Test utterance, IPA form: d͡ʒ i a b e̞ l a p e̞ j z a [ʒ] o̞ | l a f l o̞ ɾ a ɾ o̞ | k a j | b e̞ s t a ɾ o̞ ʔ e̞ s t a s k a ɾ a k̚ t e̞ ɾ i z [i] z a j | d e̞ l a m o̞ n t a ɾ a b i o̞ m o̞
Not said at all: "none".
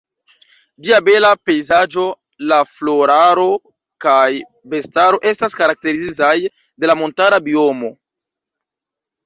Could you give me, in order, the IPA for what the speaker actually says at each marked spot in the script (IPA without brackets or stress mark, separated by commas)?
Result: d͡ʒ, i